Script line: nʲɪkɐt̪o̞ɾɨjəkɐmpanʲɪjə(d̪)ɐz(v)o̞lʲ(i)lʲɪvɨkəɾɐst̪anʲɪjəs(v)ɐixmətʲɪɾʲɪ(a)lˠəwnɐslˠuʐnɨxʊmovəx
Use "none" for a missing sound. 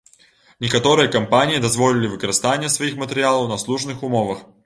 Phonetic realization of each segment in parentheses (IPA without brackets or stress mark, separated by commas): d̪, v, ɪ, v, a